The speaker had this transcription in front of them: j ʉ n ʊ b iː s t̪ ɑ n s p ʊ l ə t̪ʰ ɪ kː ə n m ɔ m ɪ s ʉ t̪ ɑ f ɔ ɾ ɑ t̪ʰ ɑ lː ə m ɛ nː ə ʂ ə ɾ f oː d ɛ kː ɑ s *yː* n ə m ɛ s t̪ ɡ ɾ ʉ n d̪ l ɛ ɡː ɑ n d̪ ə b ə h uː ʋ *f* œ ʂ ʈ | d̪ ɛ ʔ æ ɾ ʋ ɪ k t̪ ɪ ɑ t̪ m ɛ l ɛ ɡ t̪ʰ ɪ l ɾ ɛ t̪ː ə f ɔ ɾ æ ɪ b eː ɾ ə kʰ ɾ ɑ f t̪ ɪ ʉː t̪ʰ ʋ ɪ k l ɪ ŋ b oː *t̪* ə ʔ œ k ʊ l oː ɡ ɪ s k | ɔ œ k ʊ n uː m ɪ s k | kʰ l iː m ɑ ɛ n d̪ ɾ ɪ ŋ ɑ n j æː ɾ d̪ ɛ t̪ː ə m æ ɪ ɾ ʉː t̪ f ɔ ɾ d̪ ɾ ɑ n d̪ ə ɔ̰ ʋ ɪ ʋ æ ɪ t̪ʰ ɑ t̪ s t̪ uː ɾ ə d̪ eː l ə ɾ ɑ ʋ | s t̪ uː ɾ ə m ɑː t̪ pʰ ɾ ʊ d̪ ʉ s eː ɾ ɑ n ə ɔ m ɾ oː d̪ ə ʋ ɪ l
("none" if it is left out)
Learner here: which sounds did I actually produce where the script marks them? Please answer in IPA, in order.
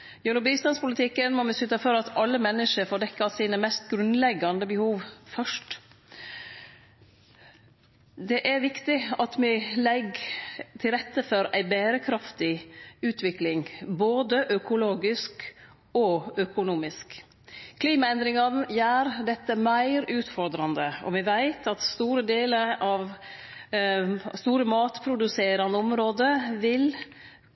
iː, f, d̪

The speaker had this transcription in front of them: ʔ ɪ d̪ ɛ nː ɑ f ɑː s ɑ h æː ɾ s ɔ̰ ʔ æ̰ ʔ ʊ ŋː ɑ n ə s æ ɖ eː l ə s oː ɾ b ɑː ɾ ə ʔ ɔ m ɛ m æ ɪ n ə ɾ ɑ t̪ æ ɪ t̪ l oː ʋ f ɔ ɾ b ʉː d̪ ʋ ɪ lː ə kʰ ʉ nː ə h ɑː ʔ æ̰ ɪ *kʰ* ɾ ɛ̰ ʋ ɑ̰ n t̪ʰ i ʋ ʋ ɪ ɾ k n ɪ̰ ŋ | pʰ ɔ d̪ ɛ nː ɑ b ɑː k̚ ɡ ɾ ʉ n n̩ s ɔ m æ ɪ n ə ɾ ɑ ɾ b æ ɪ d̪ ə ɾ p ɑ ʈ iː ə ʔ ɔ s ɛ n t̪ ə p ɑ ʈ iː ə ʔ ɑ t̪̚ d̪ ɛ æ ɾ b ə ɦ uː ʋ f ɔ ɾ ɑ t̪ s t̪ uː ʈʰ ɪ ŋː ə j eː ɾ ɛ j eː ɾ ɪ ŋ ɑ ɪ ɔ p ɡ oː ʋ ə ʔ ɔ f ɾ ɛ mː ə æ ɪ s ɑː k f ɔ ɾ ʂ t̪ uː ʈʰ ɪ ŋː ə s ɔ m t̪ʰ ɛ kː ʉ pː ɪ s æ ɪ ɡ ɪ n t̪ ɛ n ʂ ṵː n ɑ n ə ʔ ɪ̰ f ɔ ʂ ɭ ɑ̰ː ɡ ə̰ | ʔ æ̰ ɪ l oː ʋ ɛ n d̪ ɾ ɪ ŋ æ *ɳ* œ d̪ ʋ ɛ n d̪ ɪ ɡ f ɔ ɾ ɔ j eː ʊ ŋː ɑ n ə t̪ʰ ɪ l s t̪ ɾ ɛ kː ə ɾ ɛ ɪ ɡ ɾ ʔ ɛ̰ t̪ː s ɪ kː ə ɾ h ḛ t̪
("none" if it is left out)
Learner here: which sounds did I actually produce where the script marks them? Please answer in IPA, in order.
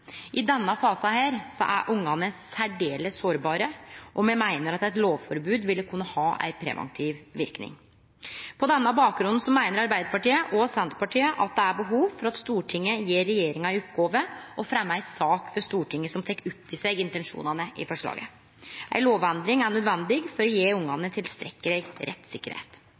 pʰ, ɳ

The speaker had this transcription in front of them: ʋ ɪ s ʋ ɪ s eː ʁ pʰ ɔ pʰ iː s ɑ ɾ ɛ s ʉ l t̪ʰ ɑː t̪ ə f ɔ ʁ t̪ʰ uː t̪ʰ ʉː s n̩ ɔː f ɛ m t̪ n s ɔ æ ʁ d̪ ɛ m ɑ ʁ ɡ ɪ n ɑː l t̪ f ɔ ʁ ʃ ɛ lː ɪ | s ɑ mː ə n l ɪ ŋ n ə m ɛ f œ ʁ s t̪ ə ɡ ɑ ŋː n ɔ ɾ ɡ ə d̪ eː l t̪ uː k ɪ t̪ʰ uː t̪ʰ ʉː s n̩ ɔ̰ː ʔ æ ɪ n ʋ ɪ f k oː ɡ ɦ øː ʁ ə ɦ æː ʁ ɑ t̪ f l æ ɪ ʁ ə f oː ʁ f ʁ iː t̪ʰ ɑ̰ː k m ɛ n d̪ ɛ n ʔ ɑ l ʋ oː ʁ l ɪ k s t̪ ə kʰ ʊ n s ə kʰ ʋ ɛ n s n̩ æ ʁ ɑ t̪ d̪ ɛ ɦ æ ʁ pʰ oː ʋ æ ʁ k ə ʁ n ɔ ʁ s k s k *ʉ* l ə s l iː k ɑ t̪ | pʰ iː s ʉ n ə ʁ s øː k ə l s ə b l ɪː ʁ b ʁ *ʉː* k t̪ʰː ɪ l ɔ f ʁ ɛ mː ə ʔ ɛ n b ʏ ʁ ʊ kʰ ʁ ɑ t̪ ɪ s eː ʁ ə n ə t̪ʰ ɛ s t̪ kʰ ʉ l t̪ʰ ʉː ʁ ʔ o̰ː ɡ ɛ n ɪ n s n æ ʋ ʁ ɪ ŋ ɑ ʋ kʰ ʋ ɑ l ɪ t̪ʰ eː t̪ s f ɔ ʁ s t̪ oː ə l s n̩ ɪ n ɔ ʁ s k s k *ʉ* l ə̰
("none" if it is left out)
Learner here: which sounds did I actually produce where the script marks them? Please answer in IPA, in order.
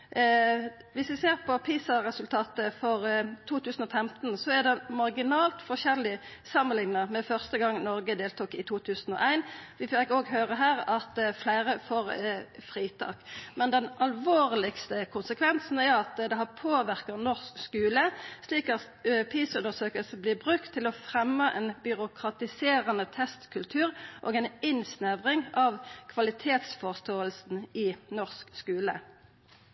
ʉː, ʉ, ʉː

